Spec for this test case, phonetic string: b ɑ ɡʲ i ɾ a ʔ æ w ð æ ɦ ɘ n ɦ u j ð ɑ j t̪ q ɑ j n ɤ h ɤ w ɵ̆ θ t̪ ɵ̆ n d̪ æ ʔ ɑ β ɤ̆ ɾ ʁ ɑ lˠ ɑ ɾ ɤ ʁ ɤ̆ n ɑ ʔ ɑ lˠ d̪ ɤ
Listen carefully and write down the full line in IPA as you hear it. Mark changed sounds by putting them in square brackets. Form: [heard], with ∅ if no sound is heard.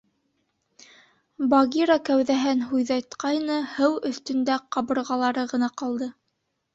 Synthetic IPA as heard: b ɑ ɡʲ i ɾ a [k] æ w ð æ ɦ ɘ n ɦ u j ð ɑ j t̪ q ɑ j n ɤ h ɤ w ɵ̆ θ t̪ ɵ̆ n d̪ æ [q] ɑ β ɤ̆ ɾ ʁ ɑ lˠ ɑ ɾ ɤ ʁ ɤ̆ n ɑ [q] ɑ lˠ d̪ ɤ